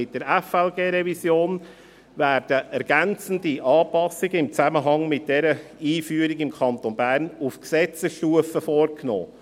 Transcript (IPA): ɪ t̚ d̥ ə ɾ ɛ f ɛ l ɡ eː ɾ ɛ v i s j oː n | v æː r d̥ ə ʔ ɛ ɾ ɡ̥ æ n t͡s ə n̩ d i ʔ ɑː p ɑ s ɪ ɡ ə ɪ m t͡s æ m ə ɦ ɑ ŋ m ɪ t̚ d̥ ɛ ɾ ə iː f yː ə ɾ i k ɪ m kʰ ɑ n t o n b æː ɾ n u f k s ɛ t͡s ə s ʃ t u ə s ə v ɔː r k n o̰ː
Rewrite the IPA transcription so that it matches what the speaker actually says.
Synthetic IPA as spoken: ɪ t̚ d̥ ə ɾ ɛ f ɛ l ɡ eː ɾ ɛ v i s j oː n | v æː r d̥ ə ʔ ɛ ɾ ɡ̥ æ n t͡s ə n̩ d i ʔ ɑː p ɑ s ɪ ɡ ə ɪ m t͡s æ m ə ɦ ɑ ŋ m ɪ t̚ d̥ ɛ ɾ ə iː f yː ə ɾ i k ɪ m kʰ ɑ n t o n b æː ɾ n u f k s ɛ t͡s ə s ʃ t u ə f ə f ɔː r k n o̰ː

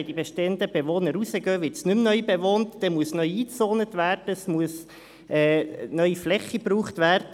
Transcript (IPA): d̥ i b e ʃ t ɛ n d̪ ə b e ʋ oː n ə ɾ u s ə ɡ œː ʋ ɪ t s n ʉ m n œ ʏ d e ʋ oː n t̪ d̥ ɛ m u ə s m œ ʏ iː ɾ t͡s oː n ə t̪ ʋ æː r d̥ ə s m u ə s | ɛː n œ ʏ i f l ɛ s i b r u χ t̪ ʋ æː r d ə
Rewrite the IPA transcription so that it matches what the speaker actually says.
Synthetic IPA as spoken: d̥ i b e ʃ t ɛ n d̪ ə b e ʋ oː n ə ɾ u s ə ɡ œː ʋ ɪ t s n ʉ m n œ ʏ b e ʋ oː n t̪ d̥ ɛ m u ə s n œ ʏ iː t͡s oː n ə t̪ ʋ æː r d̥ ə s m u ə s | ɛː n œ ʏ i f l ɛ χ i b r uː χ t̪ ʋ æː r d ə

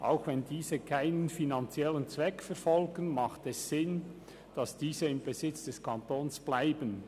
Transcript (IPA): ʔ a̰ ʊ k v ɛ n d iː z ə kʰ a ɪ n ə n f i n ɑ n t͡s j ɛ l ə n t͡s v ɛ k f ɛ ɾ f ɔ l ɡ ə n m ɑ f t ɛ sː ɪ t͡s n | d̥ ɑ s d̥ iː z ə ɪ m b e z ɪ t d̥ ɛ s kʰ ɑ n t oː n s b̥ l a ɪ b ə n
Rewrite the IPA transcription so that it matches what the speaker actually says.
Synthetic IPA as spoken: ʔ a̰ ʊ x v ɛ n d iː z ə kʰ a ɪ n ə n f i n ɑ n t͡s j ɛ l ə n t͡s v ɛ k f ɛ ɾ f ɔ l ɡ ə n m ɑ χ t ɛ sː ɪ n | d̥ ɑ s d̥ iː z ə ɪ m b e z ɪ t͡s d̥ ɛ s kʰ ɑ n t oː n s b̥ l a ɪ b ə n

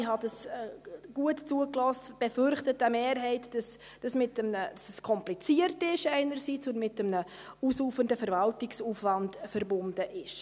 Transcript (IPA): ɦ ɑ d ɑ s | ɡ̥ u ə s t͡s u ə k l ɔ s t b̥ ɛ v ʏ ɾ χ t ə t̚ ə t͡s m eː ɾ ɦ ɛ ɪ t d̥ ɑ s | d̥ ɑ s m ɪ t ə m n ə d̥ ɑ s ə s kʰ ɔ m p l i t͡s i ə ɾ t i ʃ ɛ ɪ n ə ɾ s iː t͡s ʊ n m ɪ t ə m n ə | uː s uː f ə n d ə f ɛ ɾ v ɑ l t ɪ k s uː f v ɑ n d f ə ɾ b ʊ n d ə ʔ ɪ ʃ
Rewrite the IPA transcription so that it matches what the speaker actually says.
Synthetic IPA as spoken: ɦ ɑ d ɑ s | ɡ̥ u ə t t͡s u ə k l ɔ s t b̥ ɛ f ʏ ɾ χ t ə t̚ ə m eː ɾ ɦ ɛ ɪ t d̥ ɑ s | d̥ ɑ s m ɪ t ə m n ə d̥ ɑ s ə s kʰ ɔ m p l i t͡s i ə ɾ t ɪ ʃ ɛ ɪ n ə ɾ s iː t͡s ʊ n m ɪ t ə m n ə | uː s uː f ə n d ə f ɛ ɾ v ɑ l t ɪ k s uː f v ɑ n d f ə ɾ b ʊ n d ə ʔ ɪ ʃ

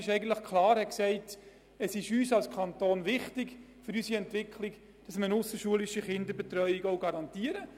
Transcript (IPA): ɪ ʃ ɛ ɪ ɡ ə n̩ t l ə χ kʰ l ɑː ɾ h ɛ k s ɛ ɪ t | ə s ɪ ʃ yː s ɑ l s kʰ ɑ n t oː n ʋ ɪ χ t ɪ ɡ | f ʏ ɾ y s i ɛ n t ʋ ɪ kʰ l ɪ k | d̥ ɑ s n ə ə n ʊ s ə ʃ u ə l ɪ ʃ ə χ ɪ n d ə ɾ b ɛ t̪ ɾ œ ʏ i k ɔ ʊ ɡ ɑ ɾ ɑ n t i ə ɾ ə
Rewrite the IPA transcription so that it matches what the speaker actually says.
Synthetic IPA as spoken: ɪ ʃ ɛ ɪ ɡ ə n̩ t l ə χ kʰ l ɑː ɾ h ɛ k s ɛ ɪ t | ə s ɪ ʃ yː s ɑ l s kʰ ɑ n t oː n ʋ ɪ χ t ɪ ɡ | f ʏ ɾ y s i ɛ n t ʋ ɪ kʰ l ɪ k | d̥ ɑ s m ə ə n ʊ s ə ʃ u ə l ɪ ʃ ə χ ɪ n d ə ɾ b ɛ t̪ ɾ œ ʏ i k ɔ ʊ ɡ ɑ ɾ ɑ n t i ə ɾ ə

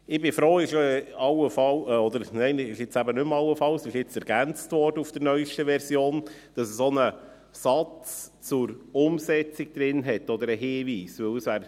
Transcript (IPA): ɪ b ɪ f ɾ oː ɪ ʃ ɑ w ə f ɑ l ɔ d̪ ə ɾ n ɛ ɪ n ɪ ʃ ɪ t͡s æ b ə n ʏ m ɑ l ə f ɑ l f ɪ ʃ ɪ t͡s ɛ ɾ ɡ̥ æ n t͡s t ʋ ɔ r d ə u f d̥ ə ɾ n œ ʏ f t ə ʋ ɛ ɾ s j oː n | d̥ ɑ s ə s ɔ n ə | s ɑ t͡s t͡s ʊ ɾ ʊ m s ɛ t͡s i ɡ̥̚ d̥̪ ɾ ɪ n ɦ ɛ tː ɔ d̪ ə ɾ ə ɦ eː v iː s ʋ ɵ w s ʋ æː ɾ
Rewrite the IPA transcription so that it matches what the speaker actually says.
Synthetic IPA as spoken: ɪ b ɪ f ɾ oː ɪ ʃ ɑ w ə f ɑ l ɔ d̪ ə ɾ n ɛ ɪ n ɪ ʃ ɪ t͡s æ b ə n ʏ m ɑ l ə f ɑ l s ɪ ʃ ɪ t͡s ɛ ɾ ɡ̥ æ n t͡s t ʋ ɔ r d ə u f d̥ ə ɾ n œ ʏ ʃ t ə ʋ ɛ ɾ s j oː n | d̥ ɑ s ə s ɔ n ə | s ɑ t͡s t͡s ʊ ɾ ʊ m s ɛ t͡s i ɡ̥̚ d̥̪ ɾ ɪ n ɦ ɛ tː ɔ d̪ ə ɾ ə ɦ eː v iː s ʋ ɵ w s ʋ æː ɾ

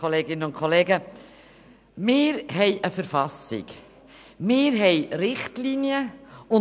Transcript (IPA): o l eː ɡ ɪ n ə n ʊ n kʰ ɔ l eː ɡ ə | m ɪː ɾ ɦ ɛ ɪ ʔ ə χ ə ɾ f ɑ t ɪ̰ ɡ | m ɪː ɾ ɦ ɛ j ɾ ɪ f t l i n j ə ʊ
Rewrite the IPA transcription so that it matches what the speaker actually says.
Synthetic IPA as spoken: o l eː ɡ ɪ n ə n ʊ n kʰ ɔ l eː ɡ ə | m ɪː ɾ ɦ ɛ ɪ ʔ ə f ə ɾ f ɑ s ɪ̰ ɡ | m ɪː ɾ ɦ ɛ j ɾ ɪ χ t l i n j ə ʊ

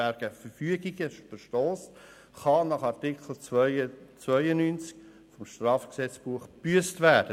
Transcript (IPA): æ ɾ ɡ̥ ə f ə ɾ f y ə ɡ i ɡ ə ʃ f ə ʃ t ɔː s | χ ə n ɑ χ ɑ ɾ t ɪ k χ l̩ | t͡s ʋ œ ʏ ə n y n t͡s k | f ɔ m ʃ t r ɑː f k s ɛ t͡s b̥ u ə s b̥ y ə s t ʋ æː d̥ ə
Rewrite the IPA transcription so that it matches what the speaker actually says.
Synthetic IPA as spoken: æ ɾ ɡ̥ ə f ə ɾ f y ə ɡ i ɡ ə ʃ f ə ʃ t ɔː s | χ ɑ n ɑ χ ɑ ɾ t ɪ k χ l̩ | t͡s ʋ œ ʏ ə n y n t͡s k | f ɔ m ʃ t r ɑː f k s ɛ t͡s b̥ u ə χ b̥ y ə s t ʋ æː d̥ ə

